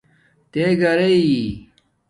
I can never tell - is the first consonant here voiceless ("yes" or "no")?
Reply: yes